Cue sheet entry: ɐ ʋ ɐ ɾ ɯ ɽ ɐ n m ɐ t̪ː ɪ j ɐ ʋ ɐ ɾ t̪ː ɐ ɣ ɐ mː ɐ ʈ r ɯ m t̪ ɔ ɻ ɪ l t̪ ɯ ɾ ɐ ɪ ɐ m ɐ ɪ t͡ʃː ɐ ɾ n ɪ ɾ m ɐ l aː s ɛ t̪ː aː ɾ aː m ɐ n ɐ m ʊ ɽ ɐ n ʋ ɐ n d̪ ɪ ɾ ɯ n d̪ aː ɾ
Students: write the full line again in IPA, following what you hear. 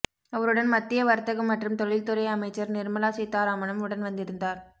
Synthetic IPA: ɐ ʋ ɐ ɾ ɯ ɽ ɐ n m ɐ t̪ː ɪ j ɐ ʋ ɐ ɾ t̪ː ɐ ɣ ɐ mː ɐ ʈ r ɯ m t̪ ɔ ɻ ɪ l t̪ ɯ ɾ ɐ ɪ ɐ m ɐ ɪ t͡ʃː ɐ ɾ n ɪ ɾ m ɐ l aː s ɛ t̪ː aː ɾ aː m ɐ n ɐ m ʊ ɽ ɐ n ʋ ɐ n d̪ ɪ ɾ ɯ n d̪ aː ɾ